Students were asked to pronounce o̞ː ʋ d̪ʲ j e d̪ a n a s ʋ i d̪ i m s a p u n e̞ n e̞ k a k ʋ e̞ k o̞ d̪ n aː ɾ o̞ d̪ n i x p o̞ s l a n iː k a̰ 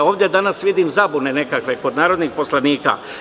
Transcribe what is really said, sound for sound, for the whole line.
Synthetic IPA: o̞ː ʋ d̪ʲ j e d̪ a n a s ʋ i d̪ i m z a b u n e̞ n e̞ k a k ʋ e̞ k o̞ d̪ n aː ɾ o̞ d̪ n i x p o̞ s l a n iː k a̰